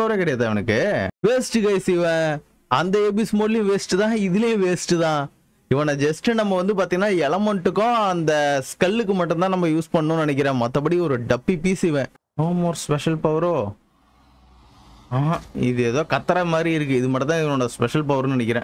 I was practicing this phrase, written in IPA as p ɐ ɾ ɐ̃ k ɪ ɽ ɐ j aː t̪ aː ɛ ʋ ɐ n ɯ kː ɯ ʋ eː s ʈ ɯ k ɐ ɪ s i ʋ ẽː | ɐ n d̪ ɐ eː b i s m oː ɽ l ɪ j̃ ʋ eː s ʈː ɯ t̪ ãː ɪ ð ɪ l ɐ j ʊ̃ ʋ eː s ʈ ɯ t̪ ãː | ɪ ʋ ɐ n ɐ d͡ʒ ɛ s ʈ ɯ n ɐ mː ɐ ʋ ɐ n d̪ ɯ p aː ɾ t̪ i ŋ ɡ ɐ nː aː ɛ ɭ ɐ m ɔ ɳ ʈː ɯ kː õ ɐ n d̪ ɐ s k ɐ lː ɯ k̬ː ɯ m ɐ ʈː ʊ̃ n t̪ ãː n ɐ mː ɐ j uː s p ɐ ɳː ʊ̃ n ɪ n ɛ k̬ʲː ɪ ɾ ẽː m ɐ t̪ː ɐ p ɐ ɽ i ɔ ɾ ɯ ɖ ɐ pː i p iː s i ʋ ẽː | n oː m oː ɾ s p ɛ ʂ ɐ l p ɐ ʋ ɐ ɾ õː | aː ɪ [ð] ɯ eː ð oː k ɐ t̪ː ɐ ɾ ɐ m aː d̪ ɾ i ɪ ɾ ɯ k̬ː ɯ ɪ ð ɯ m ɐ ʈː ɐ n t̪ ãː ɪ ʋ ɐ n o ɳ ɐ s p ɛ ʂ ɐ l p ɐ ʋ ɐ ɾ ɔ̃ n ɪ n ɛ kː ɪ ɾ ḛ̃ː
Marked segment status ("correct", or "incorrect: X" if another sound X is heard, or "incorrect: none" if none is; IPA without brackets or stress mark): correct